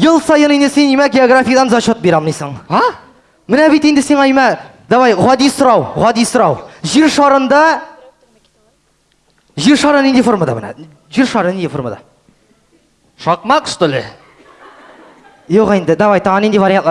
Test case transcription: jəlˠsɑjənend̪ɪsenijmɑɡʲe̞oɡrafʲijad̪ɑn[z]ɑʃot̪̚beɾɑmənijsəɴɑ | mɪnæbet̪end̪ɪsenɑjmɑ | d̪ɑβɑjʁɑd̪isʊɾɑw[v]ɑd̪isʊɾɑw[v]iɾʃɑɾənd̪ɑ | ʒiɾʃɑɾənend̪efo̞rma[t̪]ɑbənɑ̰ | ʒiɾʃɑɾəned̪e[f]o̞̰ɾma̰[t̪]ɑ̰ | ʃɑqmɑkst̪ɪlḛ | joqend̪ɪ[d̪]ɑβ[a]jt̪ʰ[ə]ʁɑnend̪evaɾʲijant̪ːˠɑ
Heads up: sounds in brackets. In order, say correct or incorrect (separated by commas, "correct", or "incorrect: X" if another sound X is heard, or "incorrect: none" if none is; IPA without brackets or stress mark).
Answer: correct, incorrect: ʁ, incorrect: ʒ, incorrect: d̪, correct, incorrect: d̪, correct, incorrect: ɑ, incorrect: ɑ